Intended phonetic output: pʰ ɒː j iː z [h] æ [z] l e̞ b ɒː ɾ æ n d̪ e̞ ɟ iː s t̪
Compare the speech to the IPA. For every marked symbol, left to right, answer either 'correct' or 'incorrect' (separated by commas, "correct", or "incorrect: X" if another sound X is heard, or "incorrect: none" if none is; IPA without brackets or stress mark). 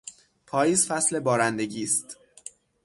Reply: incorrect: f, incorrect: s